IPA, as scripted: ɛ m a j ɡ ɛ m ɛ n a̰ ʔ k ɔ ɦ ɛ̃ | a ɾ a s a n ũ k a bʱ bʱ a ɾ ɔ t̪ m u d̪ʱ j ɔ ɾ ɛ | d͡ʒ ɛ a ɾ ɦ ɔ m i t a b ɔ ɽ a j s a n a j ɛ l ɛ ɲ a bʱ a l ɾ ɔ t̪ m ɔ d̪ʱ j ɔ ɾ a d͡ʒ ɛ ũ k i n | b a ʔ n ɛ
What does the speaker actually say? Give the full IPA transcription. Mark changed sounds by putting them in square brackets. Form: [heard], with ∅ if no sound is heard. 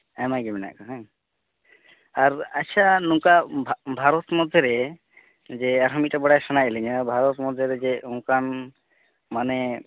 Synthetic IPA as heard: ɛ m a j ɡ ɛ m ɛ n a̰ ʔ k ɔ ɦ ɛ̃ | a ɾ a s a n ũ k a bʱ bʱ a ɾ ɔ t̪ m [ɔ] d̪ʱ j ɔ ɾ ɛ | d͡ʒ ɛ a ɾ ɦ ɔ m i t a b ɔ ɽ a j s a n a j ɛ l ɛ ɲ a bʱ a [∅] ɾ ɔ t̪ m ɔ d̪ʱ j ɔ ɾ [ɛ] d͡ʒ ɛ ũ k [a] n | [m] a [∅] n ɛ